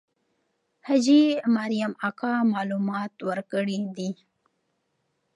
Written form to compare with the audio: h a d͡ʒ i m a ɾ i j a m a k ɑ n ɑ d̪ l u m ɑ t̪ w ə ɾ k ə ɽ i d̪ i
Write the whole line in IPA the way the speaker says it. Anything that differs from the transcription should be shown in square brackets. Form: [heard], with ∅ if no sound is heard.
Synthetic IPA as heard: h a d͡ʒ i m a ɾ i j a m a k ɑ [m] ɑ [∅] l u m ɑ t̪ w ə ɾ k ə ɽ i d̪ i